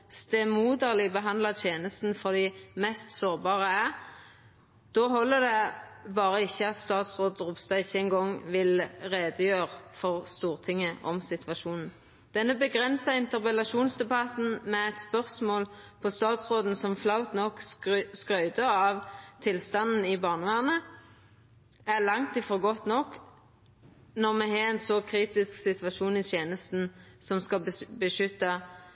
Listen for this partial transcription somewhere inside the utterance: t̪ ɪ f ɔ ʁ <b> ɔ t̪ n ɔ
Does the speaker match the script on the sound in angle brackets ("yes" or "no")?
no